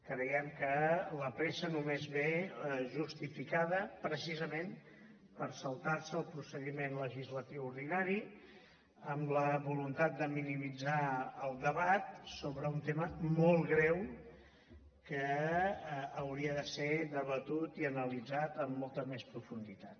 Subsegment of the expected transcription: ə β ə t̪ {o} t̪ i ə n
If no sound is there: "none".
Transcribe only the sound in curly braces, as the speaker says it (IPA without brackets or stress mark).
u